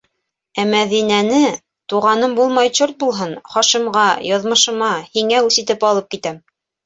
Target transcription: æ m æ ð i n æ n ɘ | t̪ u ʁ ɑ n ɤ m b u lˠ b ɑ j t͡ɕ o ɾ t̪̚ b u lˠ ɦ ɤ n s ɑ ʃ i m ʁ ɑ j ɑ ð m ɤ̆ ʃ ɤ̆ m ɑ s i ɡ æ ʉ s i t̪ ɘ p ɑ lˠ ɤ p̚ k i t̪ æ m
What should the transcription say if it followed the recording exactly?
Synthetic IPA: æ m æ ð i n æ n ɘ | t̪ u ʁ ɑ n ɤ m b u lˠ m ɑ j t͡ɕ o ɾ t̪̚ b u lˠ ɦ ɤ n χ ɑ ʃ i m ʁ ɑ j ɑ ð m ɤ̆ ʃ ɤ̆ m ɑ h i ŋ æ ʉ s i t̪ ɘ p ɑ lˠ ɤ p̚ k i t̪ æ m